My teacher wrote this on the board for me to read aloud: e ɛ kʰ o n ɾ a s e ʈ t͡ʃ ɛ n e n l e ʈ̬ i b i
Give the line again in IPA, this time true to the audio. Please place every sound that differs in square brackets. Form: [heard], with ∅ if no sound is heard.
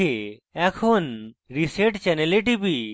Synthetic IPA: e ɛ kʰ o n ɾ [i] s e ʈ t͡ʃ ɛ n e [∅] l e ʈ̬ i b i